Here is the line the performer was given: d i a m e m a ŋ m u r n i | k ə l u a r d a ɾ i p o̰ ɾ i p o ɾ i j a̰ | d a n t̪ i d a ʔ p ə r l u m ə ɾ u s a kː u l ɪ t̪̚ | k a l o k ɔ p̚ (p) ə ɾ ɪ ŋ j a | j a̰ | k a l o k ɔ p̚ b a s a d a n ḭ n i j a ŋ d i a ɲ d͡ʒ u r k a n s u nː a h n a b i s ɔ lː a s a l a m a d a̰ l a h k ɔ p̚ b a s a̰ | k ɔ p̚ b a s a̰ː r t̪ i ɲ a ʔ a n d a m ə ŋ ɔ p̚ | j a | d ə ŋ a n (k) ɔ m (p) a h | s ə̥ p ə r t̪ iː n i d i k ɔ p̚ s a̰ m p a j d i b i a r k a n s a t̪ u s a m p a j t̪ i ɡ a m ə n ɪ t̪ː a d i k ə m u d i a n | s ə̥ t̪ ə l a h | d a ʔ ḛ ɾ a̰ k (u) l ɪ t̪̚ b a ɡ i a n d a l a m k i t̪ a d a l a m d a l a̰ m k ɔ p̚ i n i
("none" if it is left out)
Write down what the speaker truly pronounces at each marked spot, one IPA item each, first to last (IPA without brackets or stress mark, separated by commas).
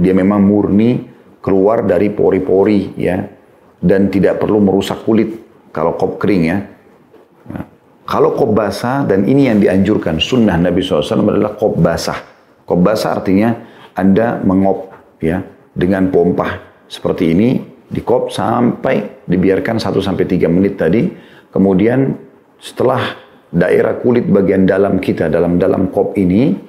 k, p, p, u